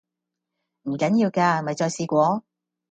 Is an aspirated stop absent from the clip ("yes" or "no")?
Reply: yes